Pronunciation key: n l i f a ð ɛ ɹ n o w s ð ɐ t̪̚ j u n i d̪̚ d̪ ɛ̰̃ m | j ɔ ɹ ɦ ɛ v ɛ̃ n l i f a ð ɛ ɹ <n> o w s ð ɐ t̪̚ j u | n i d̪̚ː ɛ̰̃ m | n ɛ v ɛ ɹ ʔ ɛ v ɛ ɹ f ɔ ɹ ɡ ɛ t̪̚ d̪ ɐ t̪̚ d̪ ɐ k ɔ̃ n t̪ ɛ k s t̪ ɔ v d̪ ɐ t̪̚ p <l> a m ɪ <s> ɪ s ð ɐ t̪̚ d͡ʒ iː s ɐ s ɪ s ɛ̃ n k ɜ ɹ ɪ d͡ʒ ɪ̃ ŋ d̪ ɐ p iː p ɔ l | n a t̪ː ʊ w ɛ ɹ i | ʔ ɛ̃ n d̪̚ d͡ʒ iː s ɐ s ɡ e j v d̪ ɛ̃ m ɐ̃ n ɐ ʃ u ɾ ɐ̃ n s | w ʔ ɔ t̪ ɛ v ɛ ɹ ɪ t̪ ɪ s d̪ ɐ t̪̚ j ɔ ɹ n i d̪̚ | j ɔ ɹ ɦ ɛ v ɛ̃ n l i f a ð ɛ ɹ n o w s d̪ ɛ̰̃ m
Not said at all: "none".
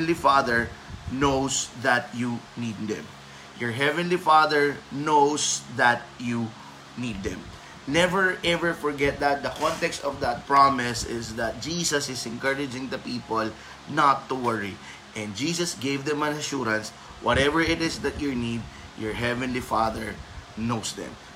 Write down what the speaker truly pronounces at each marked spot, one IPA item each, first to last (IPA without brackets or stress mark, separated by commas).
n, ɹ, s